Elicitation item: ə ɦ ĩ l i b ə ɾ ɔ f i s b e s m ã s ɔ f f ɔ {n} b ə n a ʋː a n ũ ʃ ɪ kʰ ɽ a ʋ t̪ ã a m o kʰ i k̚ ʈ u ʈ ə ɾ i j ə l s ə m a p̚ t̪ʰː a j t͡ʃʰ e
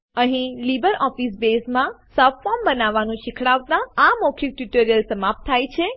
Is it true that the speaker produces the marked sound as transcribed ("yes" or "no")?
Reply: no